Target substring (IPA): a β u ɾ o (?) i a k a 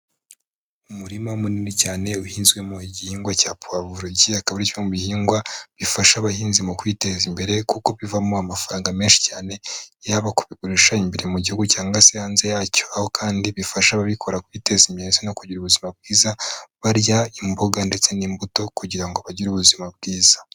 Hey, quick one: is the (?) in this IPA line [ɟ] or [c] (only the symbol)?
ɟ